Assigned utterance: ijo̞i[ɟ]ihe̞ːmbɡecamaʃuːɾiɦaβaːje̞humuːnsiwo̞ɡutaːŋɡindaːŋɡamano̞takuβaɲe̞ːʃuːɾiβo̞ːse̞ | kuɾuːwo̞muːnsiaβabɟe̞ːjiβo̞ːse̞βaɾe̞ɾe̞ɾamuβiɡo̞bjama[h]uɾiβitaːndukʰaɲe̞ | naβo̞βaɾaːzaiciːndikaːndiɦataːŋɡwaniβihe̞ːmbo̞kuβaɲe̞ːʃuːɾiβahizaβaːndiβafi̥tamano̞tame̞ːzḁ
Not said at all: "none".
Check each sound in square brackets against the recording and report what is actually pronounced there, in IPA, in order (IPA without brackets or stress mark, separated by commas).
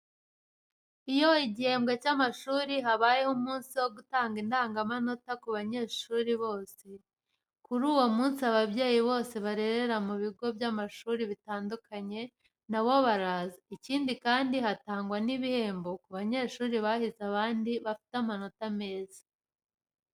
ɟ, ʃ